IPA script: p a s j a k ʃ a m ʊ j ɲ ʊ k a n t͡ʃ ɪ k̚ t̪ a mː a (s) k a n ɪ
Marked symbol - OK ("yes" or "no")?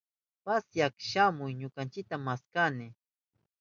yes